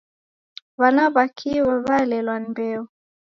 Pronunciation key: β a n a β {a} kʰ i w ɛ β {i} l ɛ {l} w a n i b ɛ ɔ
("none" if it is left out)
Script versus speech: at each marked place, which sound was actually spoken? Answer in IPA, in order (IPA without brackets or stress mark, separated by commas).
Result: a, a, l